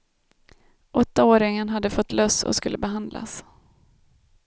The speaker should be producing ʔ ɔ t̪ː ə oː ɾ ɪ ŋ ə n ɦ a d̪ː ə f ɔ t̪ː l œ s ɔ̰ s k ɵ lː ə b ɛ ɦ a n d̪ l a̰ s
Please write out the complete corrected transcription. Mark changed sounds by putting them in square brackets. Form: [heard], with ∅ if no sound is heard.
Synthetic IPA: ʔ ɔ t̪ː [a] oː ɾ ɪ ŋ ə n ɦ a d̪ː ə f ɔ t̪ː l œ s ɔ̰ s k ɵ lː ə b ɛ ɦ a n d̪ l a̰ s